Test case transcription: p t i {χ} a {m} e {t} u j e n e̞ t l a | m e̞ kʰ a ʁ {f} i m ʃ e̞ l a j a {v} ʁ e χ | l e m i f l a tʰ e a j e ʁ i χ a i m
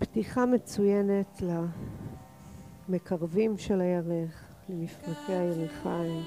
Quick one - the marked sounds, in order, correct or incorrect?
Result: correct, correct, incorrect: t͡s, incorrect: v, incorrect: none

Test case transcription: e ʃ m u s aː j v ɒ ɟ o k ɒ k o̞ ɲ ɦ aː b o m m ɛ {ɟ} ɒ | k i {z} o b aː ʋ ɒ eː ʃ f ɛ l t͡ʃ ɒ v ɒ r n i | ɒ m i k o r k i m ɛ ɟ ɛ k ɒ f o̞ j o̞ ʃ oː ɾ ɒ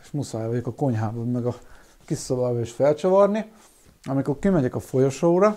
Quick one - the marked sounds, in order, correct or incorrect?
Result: incorrect: ɡ, incorrect: s

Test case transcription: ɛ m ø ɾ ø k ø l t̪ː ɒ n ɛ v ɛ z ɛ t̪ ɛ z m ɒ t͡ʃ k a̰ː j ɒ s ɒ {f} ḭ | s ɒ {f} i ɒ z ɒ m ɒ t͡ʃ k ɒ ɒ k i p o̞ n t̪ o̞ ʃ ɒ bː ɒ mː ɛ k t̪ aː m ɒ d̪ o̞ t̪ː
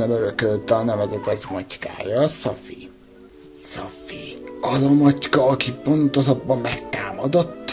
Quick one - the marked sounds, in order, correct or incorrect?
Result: correct, correct

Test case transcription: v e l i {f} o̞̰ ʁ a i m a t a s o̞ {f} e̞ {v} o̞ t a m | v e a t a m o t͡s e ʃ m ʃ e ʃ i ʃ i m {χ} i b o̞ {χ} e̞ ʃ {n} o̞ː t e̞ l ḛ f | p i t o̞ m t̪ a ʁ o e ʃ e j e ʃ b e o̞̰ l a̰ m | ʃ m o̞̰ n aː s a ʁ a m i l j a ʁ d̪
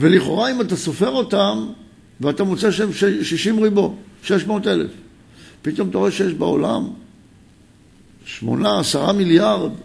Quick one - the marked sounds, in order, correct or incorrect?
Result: incorrect: χ, correct, incorrect: ʁ, incorrect: ʁ, incorrect: ʃ, incorrect: m

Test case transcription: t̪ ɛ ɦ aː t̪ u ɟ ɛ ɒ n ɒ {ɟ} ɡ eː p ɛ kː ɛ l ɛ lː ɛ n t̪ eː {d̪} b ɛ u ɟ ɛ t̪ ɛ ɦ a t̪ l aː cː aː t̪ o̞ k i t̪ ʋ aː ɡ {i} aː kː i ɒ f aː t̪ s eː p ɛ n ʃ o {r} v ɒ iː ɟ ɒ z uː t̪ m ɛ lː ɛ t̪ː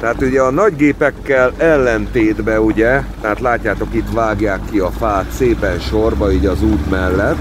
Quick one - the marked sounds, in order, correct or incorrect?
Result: correct, correct, incorrect: j, correct

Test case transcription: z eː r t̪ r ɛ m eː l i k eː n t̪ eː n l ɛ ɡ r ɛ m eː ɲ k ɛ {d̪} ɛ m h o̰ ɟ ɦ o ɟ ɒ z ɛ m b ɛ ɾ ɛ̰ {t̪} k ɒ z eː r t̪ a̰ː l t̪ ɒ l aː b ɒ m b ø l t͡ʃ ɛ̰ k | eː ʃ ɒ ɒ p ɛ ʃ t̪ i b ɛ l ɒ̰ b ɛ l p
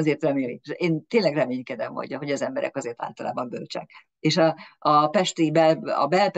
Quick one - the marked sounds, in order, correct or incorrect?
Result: correct, incorrect: none

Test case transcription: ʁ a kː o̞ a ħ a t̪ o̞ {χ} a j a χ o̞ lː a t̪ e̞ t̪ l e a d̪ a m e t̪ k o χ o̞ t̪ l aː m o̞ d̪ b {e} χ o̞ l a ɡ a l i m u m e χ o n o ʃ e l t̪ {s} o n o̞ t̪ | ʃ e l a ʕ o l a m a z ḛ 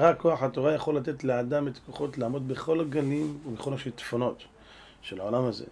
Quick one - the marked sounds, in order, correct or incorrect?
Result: incorrect: ʁ, correct, incorrect: f

